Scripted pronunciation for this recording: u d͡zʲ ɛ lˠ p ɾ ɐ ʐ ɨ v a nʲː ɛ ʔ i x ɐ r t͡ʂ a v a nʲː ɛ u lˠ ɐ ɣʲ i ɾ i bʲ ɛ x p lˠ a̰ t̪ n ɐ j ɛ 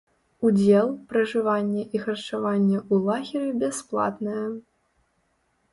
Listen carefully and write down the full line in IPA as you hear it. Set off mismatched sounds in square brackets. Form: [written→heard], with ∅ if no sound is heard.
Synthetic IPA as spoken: u d͡zʲ ɛ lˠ p ɾ ɐ ʐ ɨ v a nʲː ɛ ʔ i x ɐ r t͡ʂ a v a nʲː ɛ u lˠ [ɐ→a] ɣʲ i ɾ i bʲ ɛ [x→s] p lˠ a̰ t̪ n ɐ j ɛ